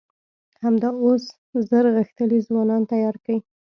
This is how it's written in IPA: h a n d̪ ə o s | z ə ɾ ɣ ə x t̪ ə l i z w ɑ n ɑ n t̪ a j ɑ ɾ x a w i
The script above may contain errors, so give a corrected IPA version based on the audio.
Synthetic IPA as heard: h a m d̪ ɑ o s | z ə ɾ ɣ ə x t̪ ə l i z w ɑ n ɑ n t̪ a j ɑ ɾ k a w i